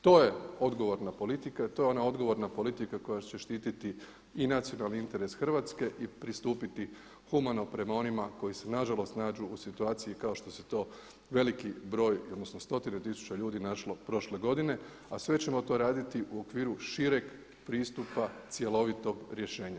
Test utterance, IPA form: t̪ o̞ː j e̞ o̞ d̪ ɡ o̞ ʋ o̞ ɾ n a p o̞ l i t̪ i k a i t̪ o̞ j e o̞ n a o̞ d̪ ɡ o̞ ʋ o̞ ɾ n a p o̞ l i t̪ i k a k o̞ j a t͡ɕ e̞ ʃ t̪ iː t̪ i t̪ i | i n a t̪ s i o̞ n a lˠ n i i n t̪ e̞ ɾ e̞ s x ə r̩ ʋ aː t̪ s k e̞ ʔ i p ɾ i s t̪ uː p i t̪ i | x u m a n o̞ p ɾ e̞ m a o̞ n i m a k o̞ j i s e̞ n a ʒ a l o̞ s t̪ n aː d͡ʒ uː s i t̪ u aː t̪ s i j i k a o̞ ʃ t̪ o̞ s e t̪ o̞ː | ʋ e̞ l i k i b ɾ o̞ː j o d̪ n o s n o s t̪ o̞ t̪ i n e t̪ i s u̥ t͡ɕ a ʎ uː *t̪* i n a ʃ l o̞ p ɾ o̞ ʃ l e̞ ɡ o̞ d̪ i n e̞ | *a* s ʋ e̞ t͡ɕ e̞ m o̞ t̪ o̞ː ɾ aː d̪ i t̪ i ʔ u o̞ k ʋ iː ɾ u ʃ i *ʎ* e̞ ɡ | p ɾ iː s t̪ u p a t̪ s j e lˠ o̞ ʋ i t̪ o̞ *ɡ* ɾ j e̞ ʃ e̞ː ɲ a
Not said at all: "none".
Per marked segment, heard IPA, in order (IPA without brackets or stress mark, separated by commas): d̪, a, ɾ, ɡ